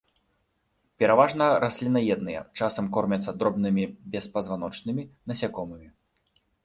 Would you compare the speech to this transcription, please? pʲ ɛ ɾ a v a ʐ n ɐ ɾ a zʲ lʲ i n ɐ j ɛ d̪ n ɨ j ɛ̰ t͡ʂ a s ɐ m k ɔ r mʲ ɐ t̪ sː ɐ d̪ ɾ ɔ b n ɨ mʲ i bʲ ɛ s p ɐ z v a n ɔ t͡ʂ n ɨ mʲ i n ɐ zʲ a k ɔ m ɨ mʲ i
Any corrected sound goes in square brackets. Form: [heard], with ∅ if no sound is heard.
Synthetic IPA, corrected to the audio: pʲ ɛ ɾ a v a ʐ n ɐ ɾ a [sʲ] lʲ i n ɐ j ɛ d̪ n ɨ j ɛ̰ t͡ʂ a s ɐ m k ɔ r mʲ ɐ t̪ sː ɐ d̪ ɾ ɔ b n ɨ mʲ i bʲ ɛ s p ɐ z v a n ɔ t͡ʂ n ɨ mʲ i n ɐ [sʲ] a k ɔ m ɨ mʲ i